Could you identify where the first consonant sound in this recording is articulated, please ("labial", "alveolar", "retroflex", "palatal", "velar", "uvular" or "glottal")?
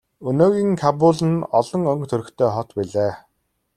alveolar